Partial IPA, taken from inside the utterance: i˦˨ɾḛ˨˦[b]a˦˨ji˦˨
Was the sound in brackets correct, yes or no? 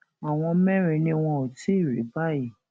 yes